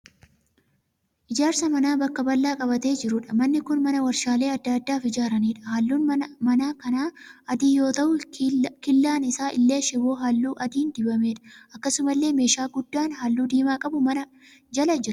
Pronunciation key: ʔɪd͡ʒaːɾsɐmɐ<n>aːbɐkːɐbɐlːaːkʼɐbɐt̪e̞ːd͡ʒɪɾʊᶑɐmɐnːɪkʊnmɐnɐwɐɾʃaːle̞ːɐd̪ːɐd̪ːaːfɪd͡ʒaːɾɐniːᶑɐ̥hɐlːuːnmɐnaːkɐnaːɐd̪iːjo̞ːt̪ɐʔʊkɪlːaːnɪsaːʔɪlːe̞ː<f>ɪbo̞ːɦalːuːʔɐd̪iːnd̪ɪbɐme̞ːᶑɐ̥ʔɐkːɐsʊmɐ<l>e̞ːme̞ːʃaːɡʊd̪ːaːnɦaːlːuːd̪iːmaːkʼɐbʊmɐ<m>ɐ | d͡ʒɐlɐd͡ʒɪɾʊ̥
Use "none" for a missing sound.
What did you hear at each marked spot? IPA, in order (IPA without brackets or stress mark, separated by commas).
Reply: n, ʃ, lː, n